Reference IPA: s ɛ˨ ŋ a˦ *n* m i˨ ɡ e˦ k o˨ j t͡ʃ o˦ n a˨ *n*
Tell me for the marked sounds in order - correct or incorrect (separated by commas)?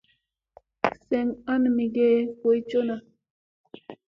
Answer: correct, incorrect